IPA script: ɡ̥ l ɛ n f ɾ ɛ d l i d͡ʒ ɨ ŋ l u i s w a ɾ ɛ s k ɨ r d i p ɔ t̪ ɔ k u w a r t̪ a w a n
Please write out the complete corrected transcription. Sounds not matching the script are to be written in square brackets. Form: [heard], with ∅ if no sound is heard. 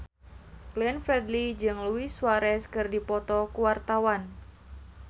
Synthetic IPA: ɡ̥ l ɛ n f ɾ ɛ d l i d͡ʒ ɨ ŋ l u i s w a ɾ ɛ s k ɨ r d i p ɔ t̪ ɔ k u w a r t̪ a w a n